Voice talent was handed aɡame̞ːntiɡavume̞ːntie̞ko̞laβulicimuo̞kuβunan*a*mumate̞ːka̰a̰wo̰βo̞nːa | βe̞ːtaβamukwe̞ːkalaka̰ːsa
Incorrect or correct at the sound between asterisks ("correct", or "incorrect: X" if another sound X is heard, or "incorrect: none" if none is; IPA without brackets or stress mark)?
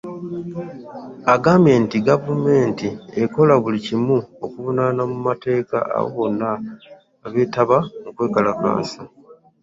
correct